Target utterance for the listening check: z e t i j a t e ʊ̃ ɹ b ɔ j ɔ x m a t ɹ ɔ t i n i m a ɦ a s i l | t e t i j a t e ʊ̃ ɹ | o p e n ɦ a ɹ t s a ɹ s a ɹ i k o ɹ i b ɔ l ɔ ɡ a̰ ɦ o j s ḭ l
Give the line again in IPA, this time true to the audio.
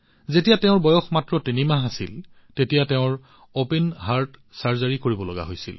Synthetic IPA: z e t i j a t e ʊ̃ ɹ b ɔ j ɔ x m a t ɹ ɔ t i n i m a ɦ a s i l | t e t i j a t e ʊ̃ ɹ | o p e n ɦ a ɹ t s a ɹ z a ɹ i k o ɹ i b ɔ l ɔ ɡ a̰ ɦ o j s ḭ l